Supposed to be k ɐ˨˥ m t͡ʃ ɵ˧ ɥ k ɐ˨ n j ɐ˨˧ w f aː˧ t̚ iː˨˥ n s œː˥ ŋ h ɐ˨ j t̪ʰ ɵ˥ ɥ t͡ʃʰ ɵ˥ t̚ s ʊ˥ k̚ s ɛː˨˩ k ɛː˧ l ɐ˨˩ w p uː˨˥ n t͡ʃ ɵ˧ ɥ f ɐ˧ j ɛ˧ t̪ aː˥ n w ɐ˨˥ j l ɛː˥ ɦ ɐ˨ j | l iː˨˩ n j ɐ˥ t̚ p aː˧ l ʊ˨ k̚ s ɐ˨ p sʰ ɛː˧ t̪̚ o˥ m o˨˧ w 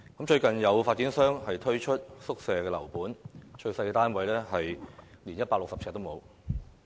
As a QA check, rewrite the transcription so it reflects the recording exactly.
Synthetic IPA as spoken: k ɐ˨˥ m t͡ʃ ɵ˧ ɥ k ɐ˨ n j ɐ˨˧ w f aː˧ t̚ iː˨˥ n s œː˥ ŋ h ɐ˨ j t̪ʰ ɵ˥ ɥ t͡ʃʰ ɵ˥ t̚ s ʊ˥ k̚ s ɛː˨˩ k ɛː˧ l ɐ˨˩ w p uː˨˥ n t͡ʃ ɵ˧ ɥ s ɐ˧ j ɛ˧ t̪ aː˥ n w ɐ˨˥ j l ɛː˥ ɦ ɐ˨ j | l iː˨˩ n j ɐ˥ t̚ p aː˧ l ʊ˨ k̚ s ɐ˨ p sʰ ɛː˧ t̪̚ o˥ m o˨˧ w